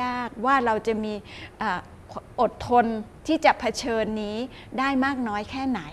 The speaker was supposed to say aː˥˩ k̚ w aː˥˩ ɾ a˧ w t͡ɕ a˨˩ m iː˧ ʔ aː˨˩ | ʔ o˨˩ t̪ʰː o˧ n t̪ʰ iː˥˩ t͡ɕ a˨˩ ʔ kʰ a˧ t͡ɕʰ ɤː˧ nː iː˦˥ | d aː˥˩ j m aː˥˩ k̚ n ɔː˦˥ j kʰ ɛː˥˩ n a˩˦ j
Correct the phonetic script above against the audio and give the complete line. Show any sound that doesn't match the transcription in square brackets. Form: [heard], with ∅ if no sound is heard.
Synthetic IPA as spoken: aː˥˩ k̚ w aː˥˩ ɾ a˧ w t͡ɕ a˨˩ m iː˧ ʔ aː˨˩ | ʔ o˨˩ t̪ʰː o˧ n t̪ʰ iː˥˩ t͡ɕ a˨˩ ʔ [pʰ] a˧ t͡ɕʰ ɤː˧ nː iː˦˥ | d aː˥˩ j m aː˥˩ k̚ n ɔː˦˥ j kʰ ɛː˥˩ n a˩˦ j